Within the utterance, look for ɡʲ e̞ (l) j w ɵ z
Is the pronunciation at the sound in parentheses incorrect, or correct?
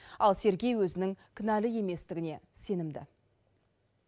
incorrect